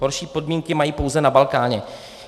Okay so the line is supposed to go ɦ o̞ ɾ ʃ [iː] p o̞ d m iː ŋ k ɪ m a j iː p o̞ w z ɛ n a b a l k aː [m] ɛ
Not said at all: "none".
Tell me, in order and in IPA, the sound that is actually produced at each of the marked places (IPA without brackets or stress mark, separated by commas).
iː, ɲ